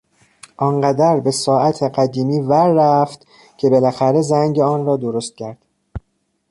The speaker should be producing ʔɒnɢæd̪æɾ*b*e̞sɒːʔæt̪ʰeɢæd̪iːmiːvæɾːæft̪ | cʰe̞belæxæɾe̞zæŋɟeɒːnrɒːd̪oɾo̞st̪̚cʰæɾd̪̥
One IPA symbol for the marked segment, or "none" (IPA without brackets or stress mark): b